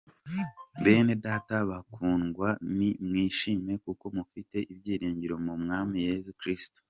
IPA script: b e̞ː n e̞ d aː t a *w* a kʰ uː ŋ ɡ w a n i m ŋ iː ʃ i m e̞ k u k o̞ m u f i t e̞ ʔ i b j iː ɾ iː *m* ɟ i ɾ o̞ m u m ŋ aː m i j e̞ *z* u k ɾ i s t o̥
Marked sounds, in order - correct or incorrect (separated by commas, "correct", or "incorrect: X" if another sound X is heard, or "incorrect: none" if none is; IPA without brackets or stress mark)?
incorrect: β, incorrect: ɲ, correct